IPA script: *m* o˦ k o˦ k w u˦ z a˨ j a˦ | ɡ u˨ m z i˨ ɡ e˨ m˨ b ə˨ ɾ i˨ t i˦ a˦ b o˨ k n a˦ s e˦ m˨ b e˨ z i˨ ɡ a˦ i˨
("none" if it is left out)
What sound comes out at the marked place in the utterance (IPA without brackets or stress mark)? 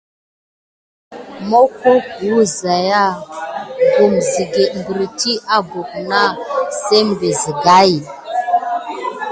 m